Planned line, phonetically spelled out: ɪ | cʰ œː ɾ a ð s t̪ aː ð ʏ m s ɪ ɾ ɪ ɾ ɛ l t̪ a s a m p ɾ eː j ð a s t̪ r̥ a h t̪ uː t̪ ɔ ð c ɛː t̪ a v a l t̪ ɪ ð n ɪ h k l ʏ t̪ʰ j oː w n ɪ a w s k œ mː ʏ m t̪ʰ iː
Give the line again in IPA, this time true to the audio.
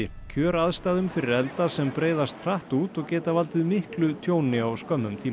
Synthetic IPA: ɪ | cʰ œː ɾ a ð s t̪ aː ð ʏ m f ɪ ɾ ɪ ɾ ɛ l t̪ a s ɛ m p ɾ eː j ð a s t̪ r̥ a h t̪ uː t̪ ɔ ɣ c ɛː t̪ a v a l t̪ ɪ ð m ɪ h k l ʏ t̪ʰ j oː w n ɪ a w s k œ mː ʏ m t̪ʰ iː